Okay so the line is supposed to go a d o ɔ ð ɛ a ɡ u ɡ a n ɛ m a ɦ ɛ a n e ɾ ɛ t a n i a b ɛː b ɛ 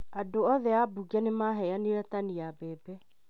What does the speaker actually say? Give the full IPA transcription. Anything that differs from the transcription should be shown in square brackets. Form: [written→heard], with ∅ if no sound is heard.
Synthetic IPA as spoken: a d o ɔ ð ɛ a [ɡ→b] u ɡ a n [ɛ→e] m a ɦ ɛ a n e ɾ ɛ t a n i a b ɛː b ɛ